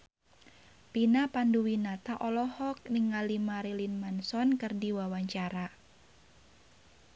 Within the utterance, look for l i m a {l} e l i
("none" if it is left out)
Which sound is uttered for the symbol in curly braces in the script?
ɾ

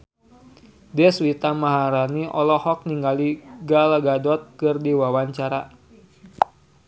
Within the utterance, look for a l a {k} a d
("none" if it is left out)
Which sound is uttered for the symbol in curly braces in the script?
ɡ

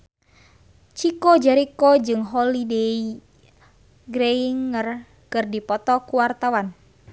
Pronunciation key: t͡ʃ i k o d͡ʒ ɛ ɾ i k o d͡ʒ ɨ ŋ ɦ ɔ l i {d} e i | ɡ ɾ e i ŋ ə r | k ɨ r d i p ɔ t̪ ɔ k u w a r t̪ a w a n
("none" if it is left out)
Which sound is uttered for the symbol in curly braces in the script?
d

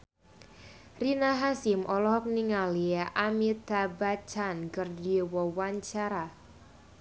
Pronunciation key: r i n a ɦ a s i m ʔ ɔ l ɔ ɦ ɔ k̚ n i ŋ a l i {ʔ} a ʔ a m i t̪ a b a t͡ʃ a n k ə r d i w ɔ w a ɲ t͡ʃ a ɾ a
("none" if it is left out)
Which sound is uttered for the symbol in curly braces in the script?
none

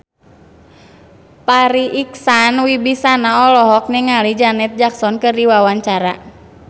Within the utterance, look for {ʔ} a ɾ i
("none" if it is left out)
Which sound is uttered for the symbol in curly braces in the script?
p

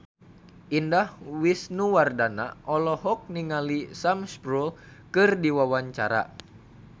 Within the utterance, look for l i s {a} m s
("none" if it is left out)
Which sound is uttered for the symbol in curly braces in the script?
a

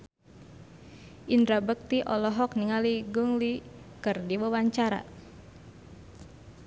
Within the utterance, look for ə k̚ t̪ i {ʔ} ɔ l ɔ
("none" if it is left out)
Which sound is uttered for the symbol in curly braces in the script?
ʔ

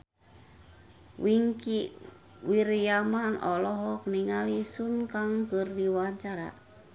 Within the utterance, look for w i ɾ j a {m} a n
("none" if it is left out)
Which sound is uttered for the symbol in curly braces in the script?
m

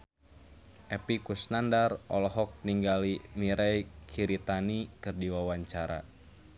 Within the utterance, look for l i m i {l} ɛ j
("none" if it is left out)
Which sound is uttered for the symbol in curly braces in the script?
ɾ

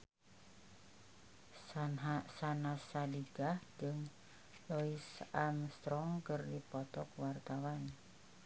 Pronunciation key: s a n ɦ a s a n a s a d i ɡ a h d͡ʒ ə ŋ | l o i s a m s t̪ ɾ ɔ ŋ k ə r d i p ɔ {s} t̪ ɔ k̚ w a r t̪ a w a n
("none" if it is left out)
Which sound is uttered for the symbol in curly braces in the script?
none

